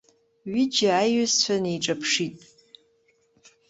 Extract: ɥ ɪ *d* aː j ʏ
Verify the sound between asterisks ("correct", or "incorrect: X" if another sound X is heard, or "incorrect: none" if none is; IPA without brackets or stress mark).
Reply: incorrect: d͡ʒ